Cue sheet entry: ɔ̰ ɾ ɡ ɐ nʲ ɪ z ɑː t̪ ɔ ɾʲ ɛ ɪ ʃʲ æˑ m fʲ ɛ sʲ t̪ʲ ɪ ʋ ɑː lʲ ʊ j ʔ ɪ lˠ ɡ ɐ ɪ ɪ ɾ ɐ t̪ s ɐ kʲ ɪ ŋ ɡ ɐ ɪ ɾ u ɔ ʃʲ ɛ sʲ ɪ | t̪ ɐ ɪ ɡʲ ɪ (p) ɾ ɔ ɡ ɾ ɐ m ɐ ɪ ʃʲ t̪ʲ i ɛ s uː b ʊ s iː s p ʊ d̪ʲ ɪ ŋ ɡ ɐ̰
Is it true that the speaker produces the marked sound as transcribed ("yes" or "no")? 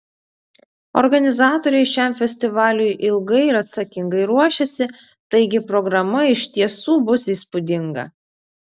yes